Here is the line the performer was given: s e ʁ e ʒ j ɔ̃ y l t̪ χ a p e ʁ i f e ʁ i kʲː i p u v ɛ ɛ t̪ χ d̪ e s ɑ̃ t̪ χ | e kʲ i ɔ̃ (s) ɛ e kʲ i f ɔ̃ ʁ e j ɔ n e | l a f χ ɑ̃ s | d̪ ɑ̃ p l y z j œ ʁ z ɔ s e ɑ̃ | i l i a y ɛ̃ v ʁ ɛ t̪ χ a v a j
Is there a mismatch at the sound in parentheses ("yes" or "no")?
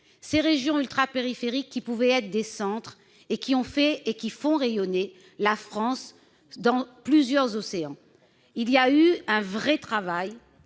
yes